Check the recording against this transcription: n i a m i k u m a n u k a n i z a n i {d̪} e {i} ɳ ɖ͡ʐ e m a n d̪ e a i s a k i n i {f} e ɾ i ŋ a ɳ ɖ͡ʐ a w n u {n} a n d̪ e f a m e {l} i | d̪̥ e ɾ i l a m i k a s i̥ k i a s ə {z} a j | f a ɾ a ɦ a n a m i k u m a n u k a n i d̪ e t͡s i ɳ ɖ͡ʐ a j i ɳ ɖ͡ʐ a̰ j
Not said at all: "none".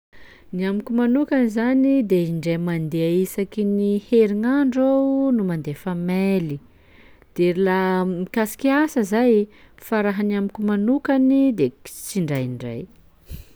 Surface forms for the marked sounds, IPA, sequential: d̪, i, h, m, l, z

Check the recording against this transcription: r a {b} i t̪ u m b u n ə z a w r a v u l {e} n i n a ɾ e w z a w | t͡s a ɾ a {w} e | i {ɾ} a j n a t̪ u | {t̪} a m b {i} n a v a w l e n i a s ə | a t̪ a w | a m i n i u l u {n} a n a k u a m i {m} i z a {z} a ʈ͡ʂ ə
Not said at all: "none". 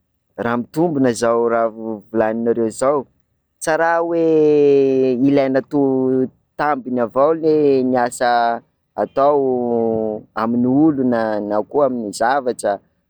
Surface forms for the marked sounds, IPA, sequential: m, a, w, l, t̪, i, n, n, v

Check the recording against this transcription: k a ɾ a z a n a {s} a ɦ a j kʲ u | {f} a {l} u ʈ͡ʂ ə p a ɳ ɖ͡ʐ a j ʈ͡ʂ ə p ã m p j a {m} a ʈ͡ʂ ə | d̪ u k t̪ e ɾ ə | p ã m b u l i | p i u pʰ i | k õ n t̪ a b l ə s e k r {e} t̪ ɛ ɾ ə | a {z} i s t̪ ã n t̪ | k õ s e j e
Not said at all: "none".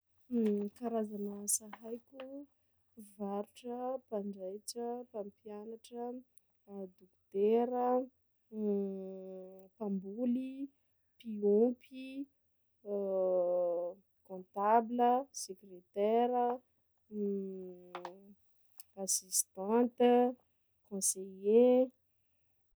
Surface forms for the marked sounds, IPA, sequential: s, v, ɾ, n, e, s

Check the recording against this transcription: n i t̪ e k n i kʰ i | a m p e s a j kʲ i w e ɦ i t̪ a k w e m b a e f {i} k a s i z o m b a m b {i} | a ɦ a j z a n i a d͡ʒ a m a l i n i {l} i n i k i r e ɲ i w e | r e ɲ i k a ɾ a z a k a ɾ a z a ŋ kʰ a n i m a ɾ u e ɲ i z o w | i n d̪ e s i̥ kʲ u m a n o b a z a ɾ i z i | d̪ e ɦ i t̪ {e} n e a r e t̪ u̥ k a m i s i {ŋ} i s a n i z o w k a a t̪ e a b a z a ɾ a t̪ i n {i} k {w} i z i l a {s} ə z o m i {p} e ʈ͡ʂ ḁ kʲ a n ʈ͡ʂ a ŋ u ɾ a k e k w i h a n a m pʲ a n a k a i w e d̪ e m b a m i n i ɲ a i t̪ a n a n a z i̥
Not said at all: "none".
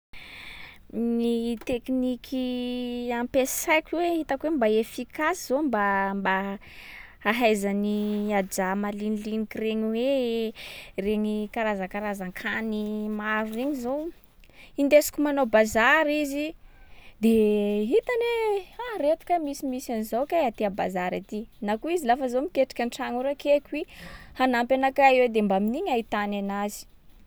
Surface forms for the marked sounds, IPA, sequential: i, a, l, a, m, a, u, f, k

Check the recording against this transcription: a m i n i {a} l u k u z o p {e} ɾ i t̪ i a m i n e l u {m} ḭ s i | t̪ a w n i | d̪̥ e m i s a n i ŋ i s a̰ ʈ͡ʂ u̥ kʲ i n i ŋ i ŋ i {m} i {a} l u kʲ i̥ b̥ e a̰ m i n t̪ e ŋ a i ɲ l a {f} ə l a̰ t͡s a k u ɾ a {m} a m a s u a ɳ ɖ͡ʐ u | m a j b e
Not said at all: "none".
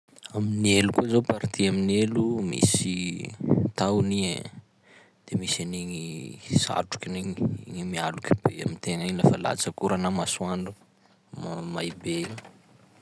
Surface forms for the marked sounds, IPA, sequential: e, a, m, m, a, f, n

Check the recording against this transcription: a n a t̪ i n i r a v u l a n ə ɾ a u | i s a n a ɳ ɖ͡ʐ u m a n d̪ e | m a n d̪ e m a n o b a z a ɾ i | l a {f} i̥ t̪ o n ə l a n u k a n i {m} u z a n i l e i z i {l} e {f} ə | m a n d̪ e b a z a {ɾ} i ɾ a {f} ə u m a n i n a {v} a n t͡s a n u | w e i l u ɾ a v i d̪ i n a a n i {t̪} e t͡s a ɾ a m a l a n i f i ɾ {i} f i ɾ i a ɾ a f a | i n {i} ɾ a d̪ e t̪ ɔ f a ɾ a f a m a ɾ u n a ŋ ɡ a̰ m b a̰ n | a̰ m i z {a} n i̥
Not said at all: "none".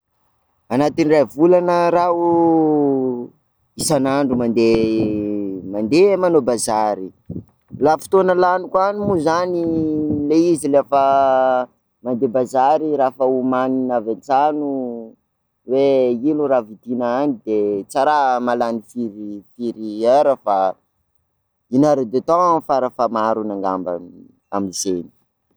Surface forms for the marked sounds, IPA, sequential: f, m, l, f, ɾ, f, v, d̪, i, a, e

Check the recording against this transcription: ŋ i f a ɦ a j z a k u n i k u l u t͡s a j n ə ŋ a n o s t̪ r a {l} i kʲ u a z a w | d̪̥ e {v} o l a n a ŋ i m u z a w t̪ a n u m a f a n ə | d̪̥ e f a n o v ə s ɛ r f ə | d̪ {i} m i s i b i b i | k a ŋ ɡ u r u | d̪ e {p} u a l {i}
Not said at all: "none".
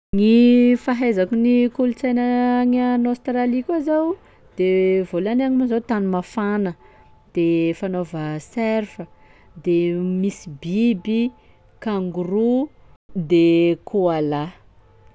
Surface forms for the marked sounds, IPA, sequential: l, v, e, k, a

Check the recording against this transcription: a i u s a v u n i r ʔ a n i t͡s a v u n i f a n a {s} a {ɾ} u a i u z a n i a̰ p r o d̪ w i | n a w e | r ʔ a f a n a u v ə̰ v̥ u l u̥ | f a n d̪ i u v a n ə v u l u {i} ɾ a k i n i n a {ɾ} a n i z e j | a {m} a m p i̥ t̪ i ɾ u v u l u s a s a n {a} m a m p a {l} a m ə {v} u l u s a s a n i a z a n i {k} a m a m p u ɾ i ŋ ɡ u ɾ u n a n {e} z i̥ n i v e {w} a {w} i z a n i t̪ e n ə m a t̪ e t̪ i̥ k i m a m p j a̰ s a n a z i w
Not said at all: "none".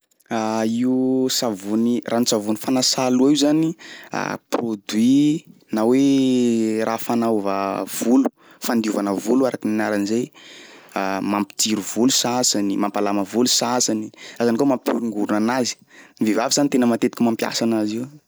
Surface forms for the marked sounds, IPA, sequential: s, l, a, ɾ, m, i, l, v, k, a, v, v

